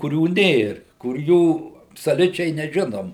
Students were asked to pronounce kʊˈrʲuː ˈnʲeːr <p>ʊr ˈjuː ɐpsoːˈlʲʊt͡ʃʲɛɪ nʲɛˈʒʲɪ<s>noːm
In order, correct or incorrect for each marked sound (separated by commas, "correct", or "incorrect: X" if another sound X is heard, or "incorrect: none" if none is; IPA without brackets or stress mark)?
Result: incorrect: k, incorrect: none